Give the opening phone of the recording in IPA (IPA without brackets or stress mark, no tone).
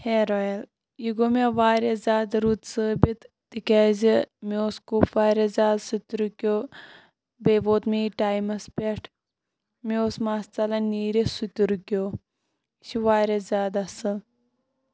h